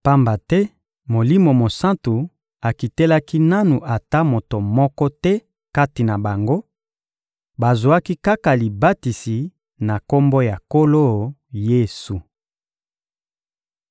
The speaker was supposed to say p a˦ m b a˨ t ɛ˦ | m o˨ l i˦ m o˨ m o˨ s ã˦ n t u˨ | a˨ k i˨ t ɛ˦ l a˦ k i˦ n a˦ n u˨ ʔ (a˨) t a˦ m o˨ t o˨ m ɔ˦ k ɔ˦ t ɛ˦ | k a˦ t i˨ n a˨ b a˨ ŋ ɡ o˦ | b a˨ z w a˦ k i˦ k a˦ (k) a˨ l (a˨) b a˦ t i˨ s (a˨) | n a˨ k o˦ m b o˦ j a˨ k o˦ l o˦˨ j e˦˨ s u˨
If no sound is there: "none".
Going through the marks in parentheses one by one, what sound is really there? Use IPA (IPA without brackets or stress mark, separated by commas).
a˨, k, i˨, i˨